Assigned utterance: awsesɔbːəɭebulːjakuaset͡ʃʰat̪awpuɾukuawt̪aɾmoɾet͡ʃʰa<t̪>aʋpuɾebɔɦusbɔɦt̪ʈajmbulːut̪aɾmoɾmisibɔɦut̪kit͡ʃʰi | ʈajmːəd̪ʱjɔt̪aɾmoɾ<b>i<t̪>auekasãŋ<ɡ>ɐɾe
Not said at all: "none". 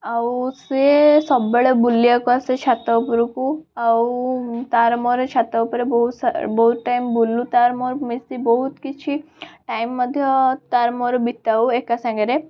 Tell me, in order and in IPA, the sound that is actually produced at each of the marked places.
t̪, b, t̪, ɡ

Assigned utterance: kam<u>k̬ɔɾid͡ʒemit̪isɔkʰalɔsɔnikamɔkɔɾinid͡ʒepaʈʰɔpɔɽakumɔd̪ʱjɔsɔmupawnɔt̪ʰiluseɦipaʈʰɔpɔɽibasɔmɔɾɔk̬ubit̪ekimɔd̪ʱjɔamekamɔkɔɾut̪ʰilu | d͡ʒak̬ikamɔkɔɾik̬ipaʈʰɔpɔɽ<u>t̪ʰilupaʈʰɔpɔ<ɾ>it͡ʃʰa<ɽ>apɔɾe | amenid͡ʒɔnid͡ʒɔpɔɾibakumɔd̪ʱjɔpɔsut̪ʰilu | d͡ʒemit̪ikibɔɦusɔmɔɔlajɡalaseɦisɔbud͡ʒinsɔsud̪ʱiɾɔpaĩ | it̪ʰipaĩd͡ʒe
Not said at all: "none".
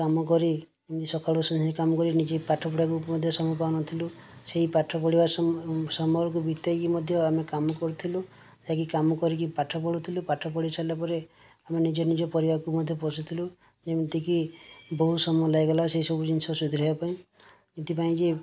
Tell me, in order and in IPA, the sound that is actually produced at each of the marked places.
ɔ, u, ɽ, l

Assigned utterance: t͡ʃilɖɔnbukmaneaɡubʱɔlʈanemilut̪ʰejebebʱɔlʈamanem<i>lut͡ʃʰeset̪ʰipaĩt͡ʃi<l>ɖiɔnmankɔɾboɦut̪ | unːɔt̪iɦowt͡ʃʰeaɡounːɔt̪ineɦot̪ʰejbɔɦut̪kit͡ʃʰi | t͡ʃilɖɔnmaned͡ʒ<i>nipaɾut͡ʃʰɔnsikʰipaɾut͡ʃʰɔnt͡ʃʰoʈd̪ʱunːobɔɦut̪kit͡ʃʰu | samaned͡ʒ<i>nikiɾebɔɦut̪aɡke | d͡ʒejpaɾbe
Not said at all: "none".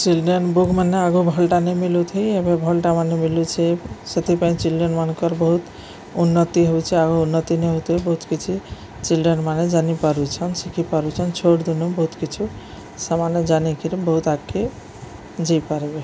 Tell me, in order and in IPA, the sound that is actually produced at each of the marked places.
i, l, a, a

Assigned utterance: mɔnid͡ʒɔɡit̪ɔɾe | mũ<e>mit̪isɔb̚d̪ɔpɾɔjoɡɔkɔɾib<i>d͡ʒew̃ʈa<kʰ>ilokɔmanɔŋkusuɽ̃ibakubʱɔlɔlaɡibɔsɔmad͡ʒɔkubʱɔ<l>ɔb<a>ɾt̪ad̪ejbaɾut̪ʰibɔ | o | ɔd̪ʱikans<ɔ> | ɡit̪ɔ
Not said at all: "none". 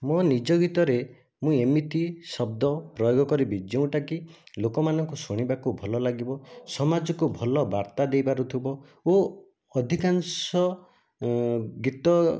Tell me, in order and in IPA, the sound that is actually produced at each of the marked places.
e, i, k, l, a, ɔ

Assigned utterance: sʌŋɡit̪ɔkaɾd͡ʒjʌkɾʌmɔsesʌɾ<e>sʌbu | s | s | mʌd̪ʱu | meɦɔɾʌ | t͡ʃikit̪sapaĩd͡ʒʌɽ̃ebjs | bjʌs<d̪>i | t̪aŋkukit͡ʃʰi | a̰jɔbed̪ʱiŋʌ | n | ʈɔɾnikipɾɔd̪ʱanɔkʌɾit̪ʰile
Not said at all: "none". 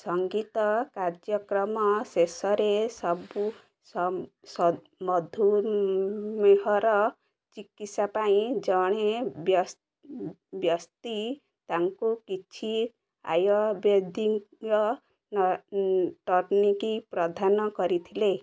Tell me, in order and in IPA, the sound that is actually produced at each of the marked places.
e, t̪

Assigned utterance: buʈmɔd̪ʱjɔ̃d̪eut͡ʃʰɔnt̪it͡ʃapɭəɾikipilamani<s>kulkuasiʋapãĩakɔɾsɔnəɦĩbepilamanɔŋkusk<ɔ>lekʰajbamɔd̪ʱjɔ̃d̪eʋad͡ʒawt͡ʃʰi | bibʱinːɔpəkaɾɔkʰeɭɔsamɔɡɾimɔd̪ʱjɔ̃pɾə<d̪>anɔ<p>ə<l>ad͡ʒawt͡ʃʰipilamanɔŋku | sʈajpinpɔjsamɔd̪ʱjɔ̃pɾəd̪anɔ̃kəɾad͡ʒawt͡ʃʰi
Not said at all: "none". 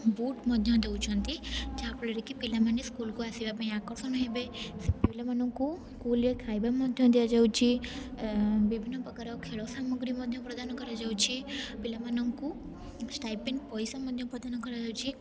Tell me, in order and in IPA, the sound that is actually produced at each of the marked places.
s, u, d̪, k, ɾ

